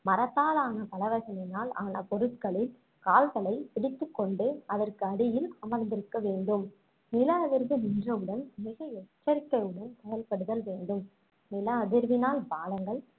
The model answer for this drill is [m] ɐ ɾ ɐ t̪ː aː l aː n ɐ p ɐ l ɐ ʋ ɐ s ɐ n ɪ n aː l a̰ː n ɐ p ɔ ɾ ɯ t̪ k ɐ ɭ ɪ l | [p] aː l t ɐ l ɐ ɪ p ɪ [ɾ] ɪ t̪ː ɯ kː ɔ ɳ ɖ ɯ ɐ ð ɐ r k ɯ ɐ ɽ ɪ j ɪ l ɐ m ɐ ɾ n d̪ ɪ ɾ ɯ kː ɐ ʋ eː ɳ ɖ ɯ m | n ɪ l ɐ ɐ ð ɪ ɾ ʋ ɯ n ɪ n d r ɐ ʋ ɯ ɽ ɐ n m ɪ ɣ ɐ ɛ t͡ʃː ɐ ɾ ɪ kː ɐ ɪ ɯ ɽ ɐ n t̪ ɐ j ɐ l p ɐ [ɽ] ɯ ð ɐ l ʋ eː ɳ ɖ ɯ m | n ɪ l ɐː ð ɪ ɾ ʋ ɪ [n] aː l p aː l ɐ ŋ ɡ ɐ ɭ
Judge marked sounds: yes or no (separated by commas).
yes, no, no, yes, yes